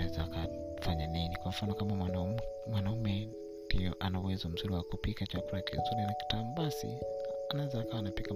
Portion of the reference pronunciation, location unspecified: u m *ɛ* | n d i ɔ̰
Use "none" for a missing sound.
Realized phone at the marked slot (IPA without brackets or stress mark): ɛ